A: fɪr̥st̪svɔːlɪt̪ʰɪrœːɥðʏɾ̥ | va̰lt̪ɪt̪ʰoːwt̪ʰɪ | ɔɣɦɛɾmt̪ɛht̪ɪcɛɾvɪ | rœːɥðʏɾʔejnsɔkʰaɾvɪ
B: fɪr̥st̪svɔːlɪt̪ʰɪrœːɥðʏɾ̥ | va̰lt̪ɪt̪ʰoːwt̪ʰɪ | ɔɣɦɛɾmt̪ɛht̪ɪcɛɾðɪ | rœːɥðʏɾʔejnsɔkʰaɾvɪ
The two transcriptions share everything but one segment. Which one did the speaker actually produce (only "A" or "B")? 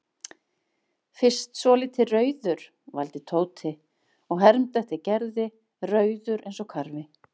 B